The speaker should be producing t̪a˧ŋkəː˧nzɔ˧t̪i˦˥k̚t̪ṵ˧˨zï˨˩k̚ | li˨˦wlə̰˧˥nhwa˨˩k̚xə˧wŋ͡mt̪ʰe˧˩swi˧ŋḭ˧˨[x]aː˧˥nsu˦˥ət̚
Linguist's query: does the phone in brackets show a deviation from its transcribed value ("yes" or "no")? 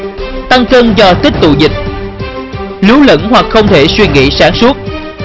yes